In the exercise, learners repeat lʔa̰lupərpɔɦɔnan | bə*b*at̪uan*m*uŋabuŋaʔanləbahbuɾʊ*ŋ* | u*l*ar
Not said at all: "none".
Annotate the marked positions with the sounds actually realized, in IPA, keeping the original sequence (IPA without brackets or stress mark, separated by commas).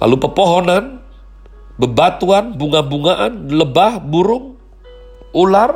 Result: b, b, ŋ, l